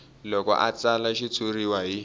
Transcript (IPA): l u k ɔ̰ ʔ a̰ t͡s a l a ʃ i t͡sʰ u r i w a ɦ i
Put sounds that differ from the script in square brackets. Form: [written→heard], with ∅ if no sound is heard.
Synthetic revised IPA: l [u→ɔ] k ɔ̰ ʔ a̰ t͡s a l a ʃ i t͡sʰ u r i w a ɦ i